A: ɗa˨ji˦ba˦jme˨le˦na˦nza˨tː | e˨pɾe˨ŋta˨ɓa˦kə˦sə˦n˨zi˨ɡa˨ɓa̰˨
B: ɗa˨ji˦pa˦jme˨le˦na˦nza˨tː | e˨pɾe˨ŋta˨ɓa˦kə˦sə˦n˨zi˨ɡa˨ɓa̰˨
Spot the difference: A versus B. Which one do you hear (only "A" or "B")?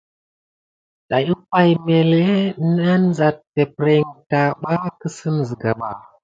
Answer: B